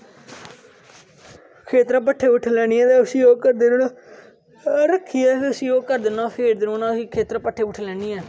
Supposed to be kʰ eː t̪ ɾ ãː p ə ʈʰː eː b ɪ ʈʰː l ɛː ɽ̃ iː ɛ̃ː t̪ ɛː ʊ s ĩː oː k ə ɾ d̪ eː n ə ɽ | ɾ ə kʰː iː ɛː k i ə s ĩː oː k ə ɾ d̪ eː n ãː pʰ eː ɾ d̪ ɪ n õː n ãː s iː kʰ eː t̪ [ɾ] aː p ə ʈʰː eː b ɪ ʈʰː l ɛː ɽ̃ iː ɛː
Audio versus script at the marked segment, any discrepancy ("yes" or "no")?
no